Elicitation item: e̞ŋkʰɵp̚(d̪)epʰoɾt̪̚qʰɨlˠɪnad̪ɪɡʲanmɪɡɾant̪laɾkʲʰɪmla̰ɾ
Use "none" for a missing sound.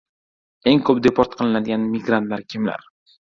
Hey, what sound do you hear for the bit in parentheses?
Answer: d̪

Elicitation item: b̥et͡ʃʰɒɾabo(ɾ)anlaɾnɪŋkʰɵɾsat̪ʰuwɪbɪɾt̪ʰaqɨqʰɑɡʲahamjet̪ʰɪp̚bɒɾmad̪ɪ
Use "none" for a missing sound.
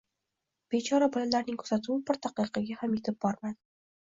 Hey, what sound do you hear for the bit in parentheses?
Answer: l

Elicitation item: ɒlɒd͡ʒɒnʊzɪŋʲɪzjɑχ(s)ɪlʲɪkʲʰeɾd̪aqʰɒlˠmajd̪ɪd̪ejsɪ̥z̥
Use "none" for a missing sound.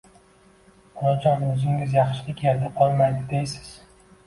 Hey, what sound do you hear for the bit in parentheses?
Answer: ʃ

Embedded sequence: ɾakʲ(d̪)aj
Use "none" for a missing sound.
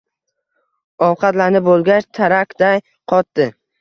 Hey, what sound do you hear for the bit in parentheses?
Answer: d̪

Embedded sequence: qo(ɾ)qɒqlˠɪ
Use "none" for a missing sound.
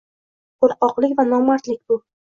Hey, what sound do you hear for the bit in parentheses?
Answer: ɾ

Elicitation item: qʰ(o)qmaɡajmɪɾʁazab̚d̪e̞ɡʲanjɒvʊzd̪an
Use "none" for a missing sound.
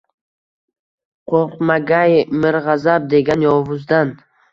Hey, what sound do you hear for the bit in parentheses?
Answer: o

